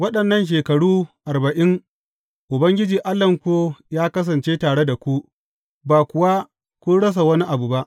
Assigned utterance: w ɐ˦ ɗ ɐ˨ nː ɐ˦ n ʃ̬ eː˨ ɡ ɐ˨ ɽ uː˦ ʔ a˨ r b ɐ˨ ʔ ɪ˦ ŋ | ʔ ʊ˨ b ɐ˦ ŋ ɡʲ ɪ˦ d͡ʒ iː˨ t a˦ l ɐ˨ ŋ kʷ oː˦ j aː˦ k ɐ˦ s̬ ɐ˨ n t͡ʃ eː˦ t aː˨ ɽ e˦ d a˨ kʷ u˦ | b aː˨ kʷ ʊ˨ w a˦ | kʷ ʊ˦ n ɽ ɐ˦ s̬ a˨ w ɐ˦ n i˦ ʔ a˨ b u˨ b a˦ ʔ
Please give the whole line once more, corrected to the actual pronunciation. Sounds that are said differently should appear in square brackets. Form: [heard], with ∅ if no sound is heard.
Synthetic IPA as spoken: w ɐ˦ ɗ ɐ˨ nː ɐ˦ n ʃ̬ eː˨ [k] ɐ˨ ɽ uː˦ ʔ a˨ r b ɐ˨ ʔ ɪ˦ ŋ | ʔ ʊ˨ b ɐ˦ ŋ ɡʲ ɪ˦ d͡ʒ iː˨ [ʔ] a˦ l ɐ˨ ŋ kʷ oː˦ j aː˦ k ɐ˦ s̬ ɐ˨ n t͡ʃ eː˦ t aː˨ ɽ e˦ d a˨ kʷ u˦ | b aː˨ kʷ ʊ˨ w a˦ | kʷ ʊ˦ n ɽ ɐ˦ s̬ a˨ w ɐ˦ n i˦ ʔ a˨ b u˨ b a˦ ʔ